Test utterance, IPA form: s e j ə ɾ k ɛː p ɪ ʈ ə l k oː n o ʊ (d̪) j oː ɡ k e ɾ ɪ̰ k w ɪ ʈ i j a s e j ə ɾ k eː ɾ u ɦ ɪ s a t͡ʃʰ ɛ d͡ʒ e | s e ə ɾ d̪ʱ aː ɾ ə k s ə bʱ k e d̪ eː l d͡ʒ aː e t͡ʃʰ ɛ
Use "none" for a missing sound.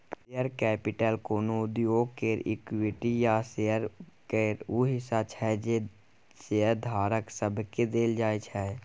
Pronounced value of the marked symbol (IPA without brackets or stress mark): d̪